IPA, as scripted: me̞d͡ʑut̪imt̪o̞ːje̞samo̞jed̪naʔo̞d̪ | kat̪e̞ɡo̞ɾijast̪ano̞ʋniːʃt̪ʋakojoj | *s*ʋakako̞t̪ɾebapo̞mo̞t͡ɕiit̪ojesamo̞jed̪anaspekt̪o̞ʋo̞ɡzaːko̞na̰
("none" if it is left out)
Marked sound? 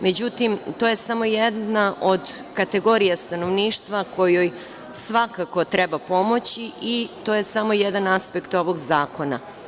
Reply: s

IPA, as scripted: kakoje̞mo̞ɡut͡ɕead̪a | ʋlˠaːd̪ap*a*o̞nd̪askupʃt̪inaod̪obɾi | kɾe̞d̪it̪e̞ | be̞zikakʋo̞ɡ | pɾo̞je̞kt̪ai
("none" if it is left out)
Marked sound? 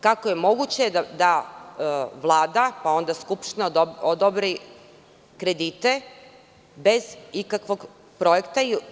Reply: a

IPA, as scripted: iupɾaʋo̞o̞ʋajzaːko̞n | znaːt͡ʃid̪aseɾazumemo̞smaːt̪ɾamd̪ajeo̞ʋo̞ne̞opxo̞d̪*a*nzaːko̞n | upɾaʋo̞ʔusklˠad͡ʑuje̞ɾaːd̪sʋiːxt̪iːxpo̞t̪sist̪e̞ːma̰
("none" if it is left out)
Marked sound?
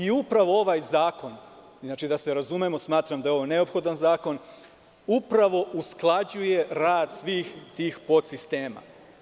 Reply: a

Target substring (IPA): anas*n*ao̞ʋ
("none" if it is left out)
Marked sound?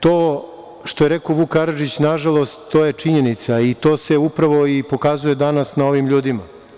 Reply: n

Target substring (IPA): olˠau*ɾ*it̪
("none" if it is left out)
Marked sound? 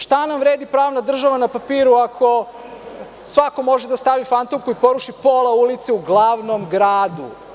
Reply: l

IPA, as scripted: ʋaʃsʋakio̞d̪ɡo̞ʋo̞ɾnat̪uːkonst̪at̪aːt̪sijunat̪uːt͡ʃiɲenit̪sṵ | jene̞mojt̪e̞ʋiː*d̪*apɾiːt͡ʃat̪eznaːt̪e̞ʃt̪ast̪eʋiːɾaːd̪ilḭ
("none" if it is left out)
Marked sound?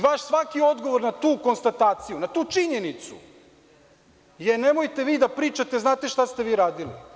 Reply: d̪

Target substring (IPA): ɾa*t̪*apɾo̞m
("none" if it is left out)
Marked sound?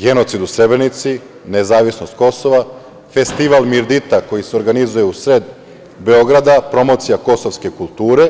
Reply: d̪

